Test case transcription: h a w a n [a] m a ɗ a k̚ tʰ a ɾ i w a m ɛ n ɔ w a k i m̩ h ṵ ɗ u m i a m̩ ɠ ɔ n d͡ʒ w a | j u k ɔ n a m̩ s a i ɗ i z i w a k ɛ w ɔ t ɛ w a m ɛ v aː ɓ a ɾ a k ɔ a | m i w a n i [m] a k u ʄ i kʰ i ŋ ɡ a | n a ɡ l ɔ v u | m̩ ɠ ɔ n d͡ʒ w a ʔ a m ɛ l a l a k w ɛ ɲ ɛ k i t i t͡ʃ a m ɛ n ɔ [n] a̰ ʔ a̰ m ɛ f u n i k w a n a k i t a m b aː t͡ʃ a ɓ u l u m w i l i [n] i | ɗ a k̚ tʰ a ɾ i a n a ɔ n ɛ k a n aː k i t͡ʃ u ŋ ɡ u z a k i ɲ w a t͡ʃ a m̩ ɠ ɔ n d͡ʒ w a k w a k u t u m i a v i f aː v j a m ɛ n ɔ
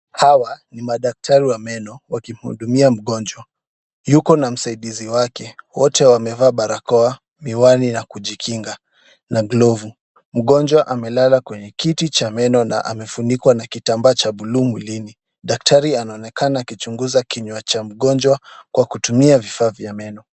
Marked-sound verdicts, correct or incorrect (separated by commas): incorrect, incorrect, correct, correct